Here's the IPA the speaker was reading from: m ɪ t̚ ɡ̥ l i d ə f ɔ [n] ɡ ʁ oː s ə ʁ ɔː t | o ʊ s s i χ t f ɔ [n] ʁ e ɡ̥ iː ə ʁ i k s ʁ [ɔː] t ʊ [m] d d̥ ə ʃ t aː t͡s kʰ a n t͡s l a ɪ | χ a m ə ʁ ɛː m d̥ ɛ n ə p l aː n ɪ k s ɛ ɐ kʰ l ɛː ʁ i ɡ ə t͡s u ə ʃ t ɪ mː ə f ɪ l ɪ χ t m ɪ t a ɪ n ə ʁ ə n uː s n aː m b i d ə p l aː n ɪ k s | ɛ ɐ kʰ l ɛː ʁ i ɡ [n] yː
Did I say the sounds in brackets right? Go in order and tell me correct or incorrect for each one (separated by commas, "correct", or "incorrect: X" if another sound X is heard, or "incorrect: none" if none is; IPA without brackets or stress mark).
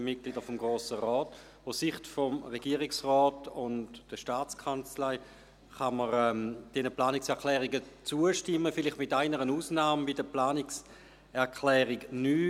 incorrect: m, incorrect: m, correct, incorrect: n, correct